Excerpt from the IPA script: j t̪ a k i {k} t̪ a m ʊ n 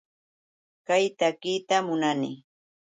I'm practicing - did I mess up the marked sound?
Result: yes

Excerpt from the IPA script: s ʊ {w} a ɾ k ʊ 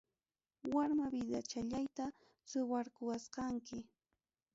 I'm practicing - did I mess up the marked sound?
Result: no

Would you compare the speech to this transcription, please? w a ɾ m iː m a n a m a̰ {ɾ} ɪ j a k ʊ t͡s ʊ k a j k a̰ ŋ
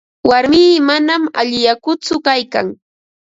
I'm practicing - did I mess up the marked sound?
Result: yes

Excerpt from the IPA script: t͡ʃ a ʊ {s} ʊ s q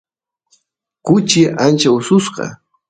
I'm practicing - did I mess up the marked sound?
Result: no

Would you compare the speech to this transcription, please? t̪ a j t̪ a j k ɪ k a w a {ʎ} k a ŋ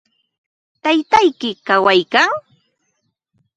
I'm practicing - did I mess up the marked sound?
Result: yes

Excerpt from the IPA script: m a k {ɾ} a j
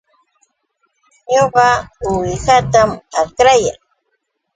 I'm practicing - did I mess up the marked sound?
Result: no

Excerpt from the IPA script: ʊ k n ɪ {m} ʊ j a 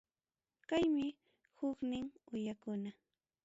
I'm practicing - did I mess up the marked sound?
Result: yes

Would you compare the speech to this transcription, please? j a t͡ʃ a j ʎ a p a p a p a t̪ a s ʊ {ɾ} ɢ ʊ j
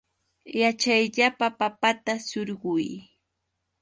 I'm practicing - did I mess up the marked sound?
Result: no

